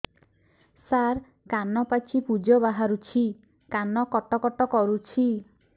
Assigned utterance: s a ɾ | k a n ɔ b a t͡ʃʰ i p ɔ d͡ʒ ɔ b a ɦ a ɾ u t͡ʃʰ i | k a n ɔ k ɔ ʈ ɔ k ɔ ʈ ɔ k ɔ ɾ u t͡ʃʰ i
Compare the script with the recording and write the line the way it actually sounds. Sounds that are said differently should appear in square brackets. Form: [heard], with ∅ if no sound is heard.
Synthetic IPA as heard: s a ɾ | k a n ɔ [p] a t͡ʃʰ i p [u] d͡ʒ ɔ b a ɦ a ɾ u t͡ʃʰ i | k a n ɔ k ɔ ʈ ɔ k ɔ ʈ ɔ k ɔ ɾ u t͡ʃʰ i